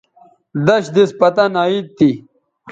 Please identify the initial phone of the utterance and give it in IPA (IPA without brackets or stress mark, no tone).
d̪